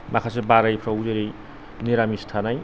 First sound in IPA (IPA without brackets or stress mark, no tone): m